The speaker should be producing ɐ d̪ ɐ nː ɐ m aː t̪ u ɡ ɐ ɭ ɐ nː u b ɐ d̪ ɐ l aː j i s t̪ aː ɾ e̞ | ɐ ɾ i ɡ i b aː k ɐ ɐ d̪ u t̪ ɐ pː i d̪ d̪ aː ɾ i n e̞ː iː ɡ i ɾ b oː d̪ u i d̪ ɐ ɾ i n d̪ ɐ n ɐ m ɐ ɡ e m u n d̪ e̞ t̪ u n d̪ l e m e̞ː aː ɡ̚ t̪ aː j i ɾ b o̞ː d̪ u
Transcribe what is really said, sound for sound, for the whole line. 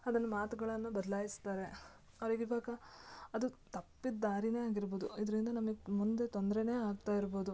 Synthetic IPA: ɐ d̪ ɐ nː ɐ m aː t̪ u ɡ ɐ ɭ ɐ nː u b ɐ d̪ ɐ l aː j i s t̪ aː ɾ e̞ | ɐ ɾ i ɡ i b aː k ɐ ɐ d̪ u t̪ ɐ pː i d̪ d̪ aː ɾ i n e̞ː aː ɡ i ɾ b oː d̪ u i d̪ ɐ ɾ i n d̪ ɐ n ɐ m ɐ ɡ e m u n d̪ e̞ t̪ o n d̪ ɾ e n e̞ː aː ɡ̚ t̪ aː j i ɾ b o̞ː d̪ u